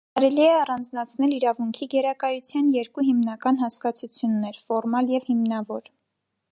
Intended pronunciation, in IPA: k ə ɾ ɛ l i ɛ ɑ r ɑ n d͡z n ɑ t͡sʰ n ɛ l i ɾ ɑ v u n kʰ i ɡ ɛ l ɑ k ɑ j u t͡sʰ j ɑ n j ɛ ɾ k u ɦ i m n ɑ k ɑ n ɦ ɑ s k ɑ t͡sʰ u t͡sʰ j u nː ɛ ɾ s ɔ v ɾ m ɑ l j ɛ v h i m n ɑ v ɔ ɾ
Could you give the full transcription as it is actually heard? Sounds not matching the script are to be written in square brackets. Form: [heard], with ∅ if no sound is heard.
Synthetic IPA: k [ɑ] ɾ ɛ l i ɛ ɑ r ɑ n d͡z n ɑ t͡sʰ n ɛ l i ɾ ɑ v u [ŋ] kʰ i ɡ ɛ [ɾ] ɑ k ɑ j u t͡sʰ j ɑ n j ɛ ɾ k u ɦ i m n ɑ k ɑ n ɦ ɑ s k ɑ t͡sʰ u t͡sʰ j u nː ɛ ɾ [f] ɔ [∅] ɾ m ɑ l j ɛ v h i m n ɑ v ɔ ɾ

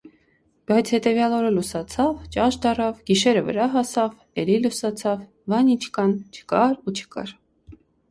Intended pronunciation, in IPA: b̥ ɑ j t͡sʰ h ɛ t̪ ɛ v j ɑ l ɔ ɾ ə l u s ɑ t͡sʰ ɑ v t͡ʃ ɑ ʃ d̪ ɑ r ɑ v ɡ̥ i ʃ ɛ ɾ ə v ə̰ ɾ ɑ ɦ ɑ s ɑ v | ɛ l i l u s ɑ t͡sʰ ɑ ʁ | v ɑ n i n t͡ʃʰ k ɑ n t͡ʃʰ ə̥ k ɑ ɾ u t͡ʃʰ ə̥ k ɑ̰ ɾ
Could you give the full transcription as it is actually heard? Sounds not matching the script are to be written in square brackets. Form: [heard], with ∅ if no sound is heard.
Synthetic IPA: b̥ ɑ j t͡sʰ h ɛ t̪ ɛ v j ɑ l ɔ ɾ ə l u s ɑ t͡sʰ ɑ v t͡ʃ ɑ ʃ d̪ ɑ r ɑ v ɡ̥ i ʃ ɛ ɾ ə v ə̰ ɾ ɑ ɦ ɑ s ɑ v | ɛ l i l u s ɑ t͡sʰ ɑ [v] | v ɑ n i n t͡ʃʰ k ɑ n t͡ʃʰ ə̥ k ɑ ɾ u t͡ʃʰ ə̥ k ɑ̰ ɾ

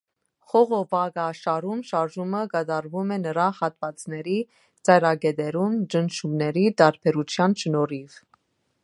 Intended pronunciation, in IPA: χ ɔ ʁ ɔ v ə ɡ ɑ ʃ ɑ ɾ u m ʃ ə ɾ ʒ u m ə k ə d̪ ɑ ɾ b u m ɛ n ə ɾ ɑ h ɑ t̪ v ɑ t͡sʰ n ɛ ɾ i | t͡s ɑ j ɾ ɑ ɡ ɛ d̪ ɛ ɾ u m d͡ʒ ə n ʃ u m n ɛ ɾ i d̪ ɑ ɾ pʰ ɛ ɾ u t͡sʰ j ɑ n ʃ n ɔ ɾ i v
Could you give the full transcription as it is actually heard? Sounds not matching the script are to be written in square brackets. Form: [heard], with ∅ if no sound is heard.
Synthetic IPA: χ ɔ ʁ ɔ v [ɑ] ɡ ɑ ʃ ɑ ɾ u m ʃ [ɑ] ɾ ʒ u m ə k [ɑ] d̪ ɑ ɾ [v] u m ɛ n ə ɾ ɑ h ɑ t̪ v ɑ [t͡s] n ɛ ɾ i | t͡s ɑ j ɾ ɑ ɡ ɛ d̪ ɛ ɾ u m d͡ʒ ə n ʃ u m n ɛ ɾ i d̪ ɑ ɾ pʰ ɛ ɾ u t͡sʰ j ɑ n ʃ n ɔ ɾ i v

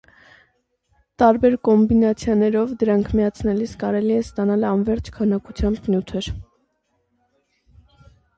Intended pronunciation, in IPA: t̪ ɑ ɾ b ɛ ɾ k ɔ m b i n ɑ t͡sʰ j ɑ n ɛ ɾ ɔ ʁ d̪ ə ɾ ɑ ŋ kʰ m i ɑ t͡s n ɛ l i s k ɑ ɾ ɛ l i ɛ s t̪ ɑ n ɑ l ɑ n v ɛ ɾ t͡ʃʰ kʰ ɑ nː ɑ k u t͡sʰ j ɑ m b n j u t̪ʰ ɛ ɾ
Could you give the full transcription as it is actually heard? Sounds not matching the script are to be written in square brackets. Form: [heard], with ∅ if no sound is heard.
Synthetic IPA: t̪ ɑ ɾ b ɛ ɾ k ɔ m b i n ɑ t͡sʰ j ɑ n ɛ ɾ ɔ [v] d̪ ə ɾ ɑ ŋ kʰ m i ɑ [t͡sʰ] n ɛ l i s k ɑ ɾ ɛ l i ɛ s t̪ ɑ n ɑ l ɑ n v ɛ ɾ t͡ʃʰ kʰ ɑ [n] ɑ k u t͡sʰ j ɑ m b n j u t̪ʰ ɛ ɾ

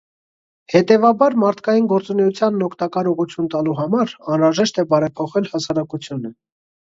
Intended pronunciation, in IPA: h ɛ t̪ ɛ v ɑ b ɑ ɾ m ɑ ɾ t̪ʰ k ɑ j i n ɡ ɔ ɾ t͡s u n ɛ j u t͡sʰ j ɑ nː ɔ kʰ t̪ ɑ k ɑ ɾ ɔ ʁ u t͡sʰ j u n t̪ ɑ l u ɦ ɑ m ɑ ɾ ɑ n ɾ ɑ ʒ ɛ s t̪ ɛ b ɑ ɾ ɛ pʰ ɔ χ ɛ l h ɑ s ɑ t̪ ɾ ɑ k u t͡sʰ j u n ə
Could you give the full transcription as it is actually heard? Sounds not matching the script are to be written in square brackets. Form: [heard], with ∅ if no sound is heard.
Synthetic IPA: h ɛ t̪ ɛ v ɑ b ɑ ɾ m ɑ ɾ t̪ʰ k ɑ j i n ɡ ɔ ɾ t͡s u n ɛ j u t͡sʰ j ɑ nː ɔ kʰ t̪ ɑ k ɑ ɾ ɔ ʁ u t͡sʰ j u n t̪ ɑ l u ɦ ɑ m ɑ ɾ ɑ n ɾ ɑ ʒ ɛ [ʃ] t̪ ɛ b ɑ ɾ ɛ pʰ ɔ χ ɛ l h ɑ s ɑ [∅] ɾ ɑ k u t͡sʰ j u n ə

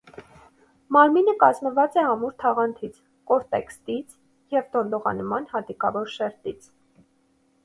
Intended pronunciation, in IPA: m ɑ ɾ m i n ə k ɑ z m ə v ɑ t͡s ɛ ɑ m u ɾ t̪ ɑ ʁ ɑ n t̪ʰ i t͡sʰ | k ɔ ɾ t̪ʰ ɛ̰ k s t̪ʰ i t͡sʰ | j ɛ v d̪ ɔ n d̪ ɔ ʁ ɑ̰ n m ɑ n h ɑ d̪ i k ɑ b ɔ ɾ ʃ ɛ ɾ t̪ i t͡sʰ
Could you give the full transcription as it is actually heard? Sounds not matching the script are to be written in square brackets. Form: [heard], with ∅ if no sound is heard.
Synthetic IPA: m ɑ ɾ m i n ə k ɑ z m ə v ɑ t͡s ɛ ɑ m u ɾ [t̪ʰ] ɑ ʁ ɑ n t̪ʰ i t͡sʰ | k ɔ ɾ [t̪] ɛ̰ k s [t̪] i t͡sʰ | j ɛ v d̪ ɔ n d̪ ɔ ʁ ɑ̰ n m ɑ n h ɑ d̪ i k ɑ [v] ɔ ɾ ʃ ɛ ɾ t̪ i t͡sʰ

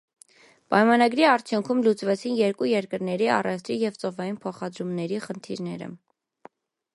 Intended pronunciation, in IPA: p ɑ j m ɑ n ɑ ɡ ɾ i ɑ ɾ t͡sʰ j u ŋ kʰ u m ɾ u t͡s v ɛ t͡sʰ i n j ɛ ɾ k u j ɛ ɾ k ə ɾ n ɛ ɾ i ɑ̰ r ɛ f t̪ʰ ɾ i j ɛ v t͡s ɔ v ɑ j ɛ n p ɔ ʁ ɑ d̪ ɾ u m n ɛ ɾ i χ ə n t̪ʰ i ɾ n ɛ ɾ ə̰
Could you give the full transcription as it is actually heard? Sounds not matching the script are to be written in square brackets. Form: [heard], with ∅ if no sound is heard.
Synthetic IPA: p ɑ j m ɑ n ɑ ɡ ɾ i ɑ ɾ t͡sʰ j u ŋ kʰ u m [l] u t͡s v ɛ t͡sʰ i n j ɛ ɾ k u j ɛ ɾ k ə ɾ n ɛ ɾ i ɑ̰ r ɛ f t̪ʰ ɾ i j ɛ v t͡s ɔ v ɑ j [i] n [pʰ] ɔ [χ] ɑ d̪ ɾ u m n ɛ ɾ i χ ə n t̪ʰ i ɾ n ɛ ɾ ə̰

